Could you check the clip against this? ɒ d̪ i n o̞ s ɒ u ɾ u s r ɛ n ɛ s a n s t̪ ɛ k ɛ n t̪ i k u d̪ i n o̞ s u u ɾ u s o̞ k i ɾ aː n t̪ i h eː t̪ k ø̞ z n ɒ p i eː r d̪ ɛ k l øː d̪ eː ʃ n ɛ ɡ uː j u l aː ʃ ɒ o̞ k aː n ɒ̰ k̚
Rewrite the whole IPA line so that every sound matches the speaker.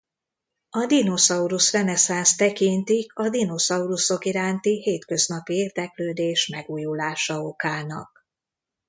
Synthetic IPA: ɒ d̪ i n o̞ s ɒ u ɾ u s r ɛ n ɛ s a n s t̪ ɛ k i n t̪ i k ɒ d̪ i n o̞ s ɒ u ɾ u s o̞ k i ɾ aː n t̪ i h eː t̪ k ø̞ z n ɒ p i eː r d̪ ɛ k l øː d̪ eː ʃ m ɛ ɡ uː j u l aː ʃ ɒ o̞ k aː n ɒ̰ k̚